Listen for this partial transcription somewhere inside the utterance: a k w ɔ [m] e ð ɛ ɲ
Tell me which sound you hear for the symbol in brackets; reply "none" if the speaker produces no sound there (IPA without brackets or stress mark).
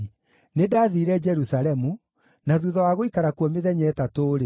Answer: m